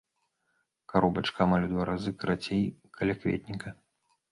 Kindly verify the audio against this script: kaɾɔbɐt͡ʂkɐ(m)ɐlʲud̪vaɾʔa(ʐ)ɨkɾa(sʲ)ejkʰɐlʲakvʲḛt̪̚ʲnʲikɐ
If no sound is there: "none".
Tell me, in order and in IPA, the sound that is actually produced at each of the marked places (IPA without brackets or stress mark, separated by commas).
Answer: m, z, t͡sʲ